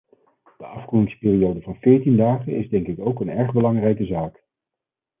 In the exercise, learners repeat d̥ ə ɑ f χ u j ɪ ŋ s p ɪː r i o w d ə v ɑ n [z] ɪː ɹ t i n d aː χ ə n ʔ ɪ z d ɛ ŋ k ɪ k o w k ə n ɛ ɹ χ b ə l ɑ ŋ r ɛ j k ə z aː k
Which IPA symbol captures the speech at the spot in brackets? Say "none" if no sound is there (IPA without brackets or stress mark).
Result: v